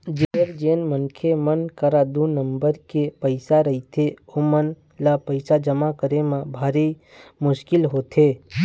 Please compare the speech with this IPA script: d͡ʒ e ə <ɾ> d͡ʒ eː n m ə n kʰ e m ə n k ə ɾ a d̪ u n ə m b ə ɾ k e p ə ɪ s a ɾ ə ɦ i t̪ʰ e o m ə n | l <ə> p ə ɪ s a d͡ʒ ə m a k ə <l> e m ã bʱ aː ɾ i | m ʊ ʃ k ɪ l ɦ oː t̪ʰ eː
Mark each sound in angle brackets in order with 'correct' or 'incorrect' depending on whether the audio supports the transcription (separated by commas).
correct, incorrect, incorrect